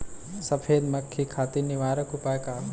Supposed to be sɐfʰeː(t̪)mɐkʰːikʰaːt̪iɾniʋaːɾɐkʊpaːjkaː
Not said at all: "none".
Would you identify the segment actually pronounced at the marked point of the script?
d̪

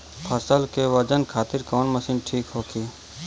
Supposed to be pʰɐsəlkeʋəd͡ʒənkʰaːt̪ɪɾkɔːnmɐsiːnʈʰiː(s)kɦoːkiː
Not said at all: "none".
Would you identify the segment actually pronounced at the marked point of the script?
none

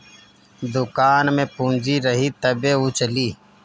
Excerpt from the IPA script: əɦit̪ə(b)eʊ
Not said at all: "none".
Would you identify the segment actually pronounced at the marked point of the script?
b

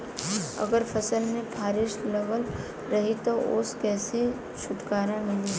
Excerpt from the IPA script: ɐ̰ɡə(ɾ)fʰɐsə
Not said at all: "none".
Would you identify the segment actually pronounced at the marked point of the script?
ɾ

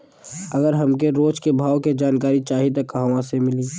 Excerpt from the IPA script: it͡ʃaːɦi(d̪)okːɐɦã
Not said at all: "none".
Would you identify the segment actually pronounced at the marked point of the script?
t̪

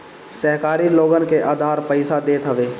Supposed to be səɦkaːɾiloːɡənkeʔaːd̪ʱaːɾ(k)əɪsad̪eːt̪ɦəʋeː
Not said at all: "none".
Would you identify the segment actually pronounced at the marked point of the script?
p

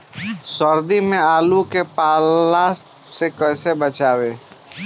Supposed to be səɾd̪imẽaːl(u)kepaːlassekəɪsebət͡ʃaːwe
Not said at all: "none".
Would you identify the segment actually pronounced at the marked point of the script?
u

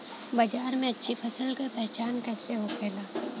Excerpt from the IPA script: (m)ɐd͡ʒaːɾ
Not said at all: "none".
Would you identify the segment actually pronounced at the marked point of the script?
b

